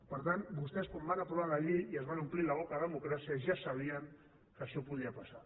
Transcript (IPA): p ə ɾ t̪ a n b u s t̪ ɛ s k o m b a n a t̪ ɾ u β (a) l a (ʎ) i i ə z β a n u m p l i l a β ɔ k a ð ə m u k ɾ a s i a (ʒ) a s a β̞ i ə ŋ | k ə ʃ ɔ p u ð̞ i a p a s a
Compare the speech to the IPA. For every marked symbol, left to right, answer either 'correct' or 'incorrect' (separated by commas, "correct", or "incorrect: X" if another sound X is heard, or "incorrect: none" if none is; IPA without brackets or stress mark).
correct, correct, correct